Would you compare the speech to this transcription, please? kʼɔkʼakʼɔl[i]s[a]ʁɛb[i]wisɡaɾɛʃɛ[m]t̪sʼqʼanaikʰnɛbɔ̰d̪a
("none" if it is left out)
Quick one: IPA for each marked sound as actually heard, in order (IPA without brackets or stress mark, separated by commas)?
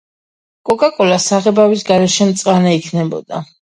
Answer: a, a, a, m